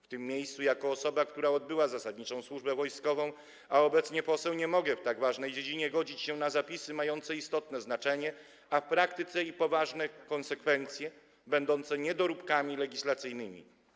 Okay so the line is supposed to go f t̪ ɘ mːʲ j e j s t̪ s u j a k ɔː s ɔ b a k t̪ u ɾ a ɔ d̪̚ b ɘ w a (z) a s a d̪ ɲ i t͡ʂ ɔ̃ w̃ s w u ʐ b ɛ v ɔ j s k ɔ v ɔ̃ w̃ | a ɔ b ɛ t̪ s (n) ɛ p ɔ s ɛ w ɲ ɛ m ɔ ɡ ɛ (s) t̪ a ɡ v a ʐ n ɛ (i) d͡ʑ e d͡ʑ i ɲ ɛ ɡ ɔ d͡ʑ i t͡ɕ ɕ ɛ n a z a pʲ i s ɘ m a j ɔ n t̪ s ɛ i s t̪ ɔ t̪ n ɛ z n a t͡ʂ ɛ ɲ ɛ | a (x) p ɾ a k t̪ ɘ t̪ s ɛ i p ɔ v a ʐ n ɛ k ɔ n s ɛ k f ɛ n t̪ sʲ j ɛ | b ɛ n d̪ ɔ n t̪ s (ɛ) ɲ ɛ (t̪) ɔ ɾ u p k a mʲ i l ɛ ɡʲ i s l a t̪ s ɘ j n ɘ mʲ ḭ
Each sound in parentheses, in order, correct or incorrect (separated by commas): correct, incorrect, incorrect, incorrect, incorrect, correct, incorrect